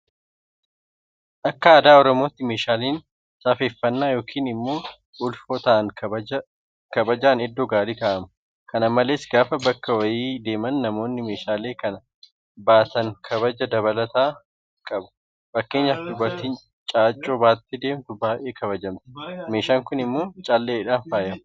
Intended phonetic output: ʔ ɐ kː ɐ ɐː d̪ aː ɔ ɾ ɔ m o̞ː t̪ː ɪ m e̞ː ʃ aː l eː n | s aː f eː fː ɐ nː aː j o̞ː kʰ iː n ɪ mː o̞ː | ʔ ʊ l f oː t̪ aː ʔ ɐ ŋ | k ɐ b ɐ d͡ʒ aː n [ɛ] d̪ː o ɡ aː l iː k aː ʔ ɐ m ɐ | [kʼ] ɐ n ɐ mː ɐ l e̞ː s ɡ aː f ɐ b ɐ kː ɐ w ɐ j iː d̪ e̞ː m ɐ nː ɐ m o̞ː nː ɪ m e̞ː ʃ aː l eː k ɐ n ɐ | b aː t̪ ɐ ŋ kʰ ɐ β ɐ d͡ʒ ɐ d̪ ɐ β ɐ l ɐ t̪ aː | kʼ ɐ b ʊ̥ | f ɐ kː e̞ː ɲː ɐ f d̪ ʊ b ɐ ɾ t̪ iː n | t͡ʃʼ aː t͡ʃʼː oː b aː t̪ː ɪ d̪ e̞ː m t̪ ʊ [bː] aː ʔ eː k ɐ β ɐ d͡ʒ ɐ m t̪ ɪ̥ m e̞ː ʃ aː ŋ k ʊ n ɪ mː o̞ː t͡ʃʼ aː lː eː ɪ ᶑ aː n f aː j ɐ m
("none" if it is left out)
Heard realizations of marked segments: ɛ, k, b

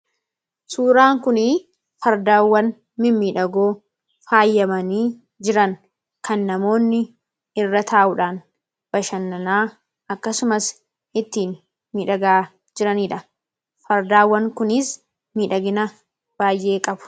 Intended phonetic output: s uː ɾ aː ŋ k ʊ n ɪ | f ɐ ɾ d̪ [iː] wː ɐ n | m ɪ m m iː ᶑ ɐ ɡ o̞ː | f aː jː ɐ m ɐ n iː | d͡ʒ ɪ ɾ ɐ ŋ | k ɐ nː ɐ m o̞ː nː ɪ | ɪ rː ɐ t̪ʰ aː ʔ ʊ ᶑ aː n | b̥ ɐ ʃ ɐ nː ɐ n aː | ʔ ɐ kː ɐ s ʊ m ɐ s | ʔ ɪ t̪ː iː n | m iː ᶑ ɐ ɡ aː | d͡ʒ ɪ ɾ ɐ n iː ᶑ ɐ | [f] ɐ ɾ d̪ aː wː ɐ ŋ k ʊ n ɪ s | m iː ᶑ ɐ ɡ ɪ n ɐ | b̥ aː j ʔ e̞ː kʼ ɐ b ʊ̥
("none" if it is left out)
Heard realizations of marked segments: aː, f

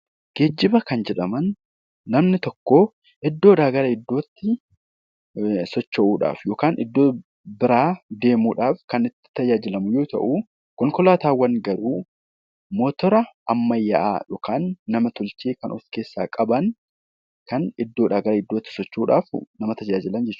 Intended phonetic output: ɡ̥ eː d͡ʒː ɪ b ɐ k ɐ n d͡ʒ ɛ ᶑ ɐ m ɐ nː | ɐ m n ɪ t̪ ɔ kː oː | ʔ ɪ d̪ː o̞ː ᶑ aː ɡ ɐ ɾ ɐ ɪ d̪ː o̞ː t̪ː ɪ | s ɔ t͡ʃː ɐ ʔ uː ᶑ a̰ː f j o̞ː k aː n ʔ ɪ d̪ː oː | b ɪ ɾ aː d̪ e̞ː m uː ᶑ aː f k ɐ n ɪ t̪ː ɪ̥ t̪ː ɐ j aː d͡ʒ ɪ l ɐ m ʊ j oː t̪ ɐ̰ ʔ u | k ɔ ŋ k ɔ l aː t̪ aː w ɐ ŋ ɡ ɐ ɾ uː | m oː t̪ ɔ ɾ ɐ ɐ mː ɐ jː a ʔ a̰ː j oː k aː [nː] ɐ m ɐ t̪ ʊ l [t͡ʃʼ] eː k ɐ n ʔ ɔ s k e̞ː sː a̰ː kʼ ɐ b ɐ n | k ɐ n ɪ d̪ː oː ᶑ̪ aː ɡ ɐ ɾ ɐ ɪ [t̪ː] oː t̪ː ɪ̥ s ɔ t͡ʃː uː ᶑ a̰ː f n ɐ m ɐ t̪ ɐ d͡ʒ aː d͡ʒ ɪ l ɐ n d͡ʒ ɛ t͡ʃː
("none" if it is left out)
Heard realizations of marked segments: nː, t͡ʃ, d̪ː

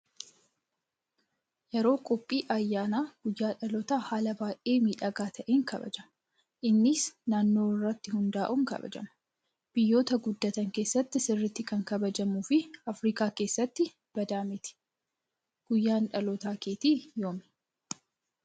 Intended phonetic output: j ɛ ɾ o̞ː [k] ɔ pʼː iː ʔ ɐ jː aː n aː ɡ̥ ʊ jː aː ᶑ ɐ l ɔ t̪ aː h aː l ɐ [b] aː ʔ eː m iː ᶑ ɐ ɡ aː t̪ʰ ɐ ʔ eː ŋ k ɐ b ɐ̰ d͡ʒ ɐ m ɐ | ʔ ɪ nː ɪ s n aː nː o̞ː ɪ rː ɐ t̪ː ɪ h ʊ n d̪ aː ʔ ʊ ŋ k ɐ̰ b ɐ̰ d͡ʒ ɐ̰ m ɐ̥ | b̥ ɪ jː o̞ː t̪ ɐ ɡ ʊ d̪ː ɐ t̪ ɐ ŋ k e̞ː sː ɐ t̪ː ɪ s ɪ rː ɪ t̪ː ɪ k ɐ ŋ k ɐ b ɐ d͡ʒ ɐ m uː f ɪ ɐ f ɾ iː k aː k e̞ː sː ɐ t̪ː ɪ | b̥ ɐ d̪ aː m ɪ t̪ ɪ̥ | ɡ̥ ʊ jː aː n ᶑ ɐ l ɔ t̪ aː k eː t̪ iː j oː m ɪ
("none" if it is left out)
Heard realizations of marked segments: kʼ, b

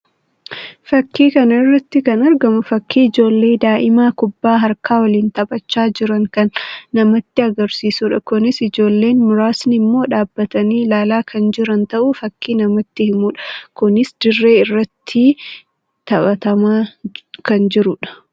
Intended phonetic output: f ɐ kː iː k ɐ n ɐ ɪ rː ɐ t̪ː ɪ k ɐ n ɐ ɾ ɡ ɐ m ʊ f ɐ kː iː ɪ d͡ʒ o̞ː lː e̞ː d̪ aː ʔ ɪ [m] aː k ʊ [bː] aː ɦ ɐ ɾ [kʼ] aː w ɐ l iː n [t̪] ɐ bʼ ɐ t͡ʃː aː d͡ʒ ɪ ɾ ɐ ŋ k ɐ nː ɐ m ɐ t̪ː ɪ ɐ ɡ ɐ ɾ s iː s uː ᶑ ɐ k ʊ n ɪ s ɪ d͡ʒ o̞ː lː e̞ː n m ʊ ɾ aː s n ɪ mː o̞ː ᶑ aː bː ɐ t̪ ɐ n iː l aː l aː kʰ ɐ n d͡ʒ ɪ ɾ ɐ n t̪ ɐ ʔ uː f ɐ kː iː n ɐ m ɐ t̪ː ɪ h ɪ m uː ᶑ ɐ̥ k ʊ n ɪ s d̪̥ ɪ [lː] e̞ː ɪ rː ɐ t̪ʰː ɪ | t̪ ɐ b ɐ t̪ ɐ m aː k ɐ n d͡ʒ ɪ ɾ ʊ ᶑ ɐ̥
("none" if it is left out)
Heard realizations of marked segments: m, bː, k, t̪, rː

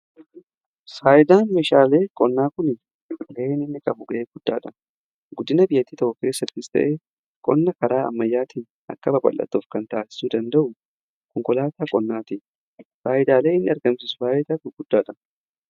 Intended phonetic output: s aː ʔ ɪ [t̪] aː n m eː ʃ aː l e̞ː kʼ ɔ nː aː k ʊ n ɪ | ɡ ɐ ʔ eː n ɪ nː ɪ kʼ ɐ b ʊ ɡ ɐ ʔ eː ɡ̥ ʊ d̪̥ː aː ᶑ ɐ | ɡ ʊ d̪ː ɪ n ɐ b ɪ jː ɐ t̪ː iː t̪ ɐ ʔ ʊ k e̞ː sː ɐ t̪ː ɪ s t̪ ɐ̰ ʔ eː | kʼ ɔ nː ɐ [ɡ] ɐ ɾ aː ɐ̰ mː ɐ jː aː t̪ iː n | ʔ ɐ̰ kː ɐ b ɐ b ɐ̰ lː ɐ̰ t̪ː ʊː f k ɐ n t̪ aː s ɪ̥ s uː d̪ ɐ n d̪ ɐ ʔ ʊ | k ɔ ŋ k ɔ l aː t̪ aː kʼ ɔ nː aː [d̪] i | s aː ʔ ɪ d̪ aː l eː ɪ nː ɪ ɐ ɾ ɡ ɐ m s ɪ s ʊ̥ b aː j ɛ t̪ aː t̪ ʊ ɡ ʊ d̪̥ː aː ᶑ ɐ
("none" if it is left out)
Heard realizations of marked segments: d̪, k, t̪

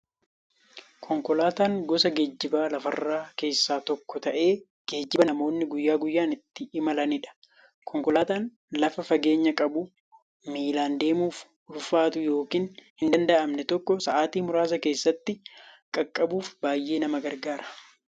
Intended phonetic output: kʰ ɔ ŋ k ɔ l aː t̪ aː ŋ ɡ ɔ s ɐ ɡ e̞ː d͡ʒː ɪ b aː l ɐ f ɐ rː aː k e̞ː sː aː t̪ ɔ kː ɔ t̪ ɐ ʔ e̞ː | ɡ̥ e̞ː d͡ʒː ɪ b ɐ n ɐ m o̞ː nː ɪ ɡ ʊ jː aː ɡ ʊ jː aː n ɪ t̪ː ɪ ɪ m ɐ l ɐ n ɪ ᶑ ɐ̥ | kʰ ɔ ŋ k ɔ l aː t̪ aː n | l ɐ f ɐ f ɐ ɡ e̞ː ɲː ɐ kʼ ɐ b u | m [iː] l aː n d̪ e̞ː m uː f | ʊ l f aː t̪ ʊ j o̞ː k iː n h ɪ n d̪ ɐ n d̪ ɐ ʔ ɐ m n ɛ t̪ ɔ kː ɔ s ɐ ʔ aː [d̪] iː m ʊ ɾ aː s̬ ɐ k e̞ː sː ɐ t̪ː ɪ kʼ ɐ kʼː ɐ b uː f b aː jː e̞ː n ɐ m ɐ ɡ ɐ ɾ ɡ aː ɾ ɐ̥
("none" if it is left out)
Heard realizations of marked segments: iː, t̪

